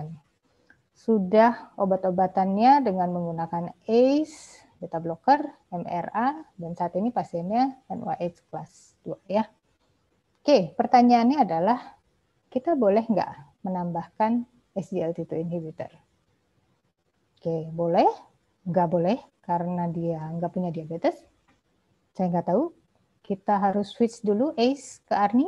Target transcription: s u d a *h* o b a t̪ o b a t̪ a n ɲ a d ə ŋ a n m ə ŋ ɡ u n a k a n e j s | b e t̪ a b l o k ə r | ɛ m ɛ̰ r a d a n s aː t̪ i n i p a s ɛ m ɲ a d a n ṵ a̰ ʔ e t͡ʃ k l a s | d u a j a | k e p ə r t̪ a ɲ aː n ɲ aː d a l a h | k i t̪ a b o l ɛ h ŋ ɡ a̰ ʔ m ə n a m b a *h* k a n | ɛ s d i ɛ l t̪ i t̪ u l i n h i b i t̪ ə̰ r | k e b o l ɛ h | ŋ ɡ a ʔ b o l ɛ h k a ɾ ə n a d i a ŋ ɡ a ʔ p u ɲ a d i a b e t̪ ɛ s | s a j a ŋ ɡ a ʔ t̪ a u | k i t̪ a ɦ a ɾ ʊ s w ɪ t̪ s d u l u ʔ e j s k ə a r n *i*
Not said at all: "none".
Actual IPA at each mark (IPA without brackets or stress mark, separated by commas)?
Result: h, h, i